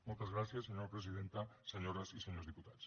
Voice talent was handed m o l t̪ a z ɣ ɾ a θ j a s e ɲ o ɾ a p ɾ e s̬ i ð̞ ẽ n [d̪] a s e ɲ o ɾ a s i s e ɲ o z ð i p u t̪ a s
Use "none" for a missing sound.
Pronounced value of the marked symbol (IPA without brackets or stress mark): t̪